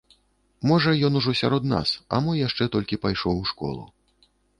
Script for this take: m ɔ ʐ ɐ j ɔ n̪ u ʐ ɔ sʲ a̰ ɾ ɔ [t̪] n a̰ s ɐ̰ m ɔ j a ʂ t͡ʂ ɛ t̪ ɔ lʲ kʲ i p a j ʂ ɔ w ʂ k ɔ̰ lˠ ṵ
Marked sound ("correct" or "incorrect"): incorrect